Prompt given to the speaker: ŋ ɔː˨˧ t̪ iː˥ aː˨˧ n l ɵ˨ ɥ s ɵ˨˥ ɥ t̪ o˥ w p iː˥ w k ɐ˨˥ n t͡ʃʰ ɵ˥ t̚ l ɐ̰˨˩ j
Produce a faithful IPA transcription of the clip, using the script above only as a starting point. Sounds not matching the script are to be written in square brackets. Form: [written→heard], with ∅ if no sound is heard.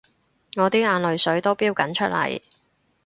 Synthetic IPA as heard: ŋ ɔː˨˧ t̪ iː˥ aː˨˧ n l ɵ˨ ɥ s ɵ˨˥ ɥ t̪ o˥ w p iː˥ w k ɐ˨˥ n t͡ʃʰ ɵ˥ t̚ l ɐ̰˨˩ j